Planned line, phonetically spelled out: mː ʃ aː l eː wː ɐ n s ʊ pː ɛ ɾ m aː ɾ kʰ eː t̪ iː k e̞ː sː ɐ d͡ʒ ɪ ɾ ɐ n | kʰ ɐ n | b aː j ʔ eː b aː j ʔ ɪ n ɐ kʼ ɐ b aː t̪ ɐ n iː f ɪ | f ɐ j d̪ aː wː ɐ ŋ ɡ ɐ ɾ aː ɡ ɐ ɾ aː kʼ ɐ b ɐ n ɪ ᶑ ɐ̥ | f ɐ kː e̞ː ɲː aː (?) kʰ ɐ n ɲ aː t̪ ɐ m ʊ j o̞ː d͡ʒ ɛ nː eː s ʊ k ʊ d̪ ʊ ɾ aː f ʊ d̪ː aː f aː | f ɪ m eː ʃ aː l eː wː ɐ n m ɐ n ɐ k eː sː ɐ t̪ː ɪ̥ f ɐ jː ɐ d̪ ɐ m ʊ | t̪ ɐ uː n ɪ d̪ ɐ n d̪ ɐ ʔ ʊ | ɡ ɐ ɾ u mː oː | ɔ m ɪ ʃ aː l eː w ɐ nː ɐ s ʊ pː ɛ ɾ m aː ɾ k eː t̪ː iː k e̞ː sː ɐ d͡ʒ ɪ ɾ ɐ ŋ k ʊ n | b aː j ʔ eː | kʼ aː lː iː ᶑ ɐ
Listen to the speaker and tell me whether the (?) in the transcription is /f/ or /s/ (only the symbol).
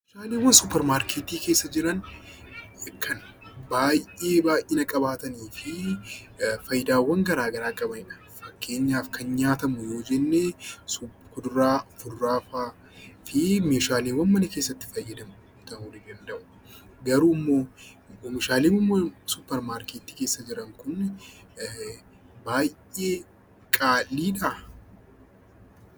f